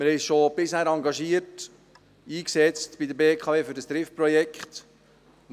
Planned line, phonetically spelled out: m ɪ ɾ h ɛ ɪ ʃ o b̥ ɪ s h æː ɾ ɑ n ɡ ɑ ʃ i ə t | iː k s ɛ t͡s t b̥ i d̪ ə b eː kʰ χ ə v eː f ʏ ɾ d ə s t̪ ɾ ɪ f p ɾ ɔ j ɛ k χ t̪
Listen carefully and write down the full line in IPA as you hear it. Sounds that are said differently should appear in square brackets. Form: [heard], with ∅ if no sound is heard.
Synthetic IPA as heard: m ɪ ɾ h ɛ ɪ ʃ o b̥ ɪ s h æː ɾ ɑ [ŋ] ɡ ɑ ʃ i ə t | iː k s ɛ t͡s t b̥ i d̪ ə b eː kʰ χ [ɑ] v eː f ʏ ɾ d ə s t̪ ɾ ɪ f p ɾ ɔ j ɛ k χ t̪